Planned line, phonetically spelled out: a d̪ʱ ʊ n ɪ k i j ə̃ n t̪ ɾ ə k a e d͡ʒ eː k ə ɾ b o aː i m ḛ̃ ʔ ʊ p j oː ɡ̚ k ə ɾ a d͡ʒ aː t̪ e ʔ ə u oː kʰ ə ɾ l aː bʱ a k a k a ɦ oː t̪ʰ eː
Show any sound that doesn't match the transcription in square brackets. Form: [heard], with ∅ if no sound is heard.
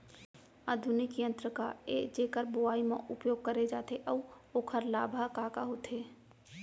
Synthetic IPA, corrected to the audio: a d̪ʱ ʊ n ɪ k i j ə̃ n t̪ ɾ ə k a e d͡ʒ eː k ə ɾ b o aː i m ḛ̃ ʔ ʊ p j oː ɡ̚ k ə ɾ [e] d͡ʒ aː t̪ e ʔ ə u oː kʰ ə ɾ l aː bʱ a k a k a ɦ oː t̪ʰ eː